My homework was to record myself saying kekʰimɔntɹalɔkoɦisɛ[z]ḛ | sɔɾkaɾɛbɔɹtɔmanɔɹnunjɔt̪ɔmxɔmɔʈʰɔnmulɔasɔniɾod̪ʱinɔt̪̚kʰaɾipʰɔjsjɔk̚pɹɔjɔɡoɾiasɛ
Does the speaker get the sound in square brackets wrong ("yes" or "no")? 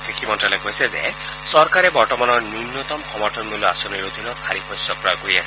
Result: no